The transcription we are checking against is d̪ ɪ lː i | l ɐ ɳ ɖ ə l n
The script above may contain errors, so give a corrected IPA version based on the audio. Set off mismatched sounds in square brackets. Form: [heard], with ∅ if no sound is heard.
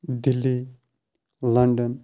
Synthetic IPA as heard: d̪ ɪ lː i | l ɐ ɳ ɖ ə [∅] n